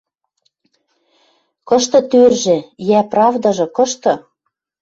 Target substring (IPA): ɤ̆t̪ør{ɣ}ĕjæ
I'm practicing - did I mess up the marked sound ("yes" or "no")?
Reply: yes